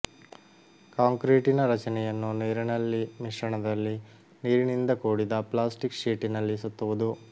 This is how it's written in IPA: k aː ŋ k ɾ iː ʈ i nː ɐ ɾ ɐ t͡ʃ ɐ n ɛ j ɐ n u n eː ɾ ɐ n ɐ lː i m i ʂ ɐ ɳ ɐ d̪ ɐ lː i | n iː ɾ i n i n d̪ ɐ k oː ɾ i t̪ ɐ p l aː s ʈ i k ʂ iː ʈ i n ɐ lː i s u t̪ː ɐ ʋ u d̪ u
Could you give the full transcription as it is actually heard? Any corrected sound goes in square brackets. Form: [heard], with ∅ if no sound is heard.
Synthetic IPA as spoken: k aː ŋ k ɾ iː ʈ i [n] ɐ ɾ ɐ t͡ʃ ɐ n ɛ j ɐ [nː] u n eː ɾ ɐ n ɐ lː i m i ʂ ɐ ɳ ɐ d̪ ɐ lː i | n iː ɾ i n i n d̪ ɐ k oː [ɽ] i [d̪] ɐ p l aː s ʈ i k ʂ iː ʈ i n ɐ lː i s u t̪ː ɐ ʋ u d̪ u